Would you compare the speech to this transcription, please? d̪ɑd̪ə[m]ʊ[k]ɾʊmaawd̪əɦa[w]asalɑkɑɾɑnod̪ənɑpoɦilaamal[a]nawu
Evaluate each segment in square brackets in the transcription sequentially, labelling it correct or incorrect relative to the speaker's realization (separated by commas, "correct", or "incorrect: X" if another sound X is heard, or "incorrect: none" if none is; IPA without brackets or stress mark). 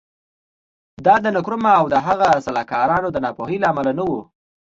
incorrect: n, correct, incorrect: ɣ, correct